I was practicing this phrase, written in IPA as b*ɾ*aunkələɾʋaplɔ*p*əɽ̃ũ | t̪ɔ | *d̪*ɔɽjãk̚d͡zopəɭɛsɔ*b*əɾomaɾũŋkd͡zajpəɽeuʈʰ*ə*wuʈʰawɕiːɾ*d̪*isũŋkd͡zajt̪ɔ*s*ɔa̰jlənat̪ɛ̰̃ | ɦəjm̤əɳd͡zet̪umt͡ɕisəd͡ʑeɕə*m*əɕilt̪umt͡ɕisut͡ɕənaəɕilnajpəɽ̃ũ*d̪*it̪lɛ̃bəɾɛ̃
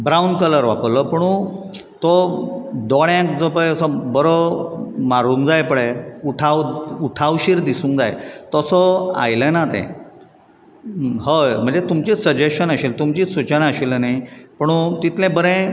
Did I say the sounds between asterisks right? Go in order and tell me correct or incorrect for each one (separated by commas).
correct, correct, correct, correct, incorrect, correct, correct, incorrect, incorrect